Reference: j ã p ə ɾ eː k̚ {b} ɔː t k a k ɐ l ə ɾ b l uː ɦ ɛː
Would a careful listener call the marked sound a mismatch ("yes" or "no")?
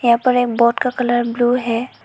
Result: no